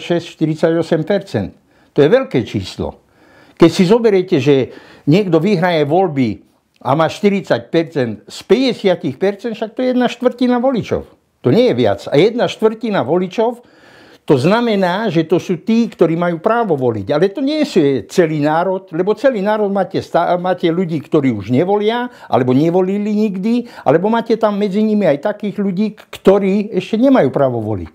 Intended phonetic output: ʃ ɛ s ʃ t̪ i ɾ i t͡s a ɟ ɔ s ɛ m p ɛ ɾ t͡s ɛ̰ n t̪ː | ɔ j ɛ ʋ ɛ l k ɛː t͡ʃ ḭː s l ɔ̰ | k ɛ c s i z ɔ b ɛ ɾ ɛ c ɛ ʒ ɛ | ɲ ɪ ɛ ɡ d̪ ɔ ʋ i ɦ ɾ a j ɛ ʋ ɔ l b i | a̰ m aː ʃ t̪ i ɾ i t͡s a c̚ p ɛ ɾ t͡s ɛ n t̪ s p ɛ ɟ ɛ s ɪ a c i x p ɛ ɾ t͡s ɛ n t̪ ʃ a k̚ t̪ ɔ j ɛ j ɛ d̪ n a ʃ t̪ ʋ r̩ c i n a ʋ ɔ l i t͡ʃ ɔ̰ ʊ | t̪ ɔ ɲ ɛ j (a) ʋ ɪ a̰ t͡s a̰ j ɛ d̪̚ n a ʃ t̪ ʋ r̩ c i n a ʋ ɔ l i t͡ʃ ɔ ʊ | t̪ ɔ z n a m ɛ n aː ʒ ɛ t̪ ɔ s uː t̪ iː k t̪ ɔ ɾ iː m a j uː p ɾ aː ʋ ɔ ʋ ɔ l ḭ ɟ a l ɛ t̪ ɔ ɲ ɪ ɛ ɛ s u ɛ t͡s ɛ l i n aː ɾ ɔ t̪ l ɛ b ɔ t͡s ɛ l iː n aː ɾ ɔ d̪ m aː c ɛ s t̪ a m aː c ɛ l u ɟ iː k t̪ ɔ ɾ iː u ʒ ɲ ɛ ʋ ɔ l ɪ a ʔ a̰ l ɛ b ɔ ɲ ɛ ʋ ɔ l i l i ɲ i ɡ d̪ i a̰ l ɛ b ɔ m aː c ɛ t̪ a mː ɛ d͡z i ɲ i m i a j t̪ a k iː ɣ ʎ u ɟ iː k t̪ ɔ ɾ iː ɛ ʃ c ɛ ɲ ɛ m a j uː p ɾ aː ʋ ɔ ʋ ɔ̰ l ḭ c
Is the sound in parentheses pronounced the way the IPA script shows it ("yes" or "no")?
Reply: no